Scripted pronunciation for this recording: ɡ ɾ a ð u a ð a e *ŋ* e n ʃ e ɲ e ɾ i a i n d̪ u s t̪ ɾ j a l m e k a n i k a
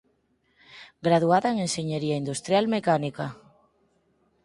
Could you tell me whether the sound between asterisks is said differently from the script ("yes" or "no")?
no